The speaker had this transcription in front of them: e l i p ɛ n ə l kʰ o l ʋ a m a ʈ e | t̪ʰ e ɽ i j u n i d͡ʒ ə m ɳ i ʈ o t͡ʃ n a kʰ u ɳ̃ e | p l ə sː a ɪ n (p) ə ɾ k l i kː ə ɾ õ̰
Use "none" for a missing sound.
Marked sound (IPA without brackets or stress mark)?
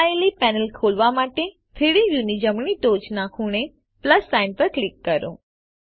p